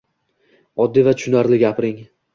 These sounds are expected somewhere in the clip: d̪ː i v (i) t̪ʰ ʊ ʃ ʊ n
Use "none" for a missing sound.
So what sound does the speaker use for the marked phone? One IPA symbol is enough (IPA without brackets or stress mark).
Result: a